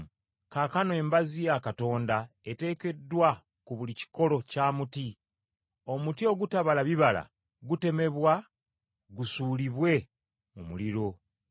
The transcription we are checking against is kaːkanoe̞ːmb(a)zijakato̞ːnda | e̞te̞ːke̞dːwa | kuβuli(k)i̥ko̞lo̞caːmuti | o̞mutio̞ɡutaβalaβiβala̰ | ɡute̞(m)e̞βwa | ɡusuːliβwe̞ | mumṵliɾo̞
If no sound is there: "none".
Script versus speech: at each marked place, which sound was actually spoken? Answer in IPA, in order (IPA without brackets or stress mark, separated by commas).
a, c, m